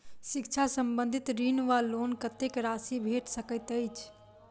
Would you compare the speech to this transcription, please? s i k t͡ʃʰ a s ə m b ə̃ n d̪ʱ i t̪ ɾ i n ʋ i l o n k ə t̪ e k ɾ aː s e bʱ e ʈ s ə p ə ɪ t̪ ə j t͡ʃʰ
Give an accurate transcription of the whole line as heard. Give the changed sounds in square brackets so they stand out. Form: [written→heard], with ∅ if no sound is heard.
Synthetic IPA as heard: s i k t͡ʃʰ a s ə m b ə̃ n d̪ʱ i t̪ ɾ i n ʋ [i→a] l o n k ə t̪ e k ɾ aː s [e→i] bʱ e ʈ s ə [p→k] ə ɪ t̪ ə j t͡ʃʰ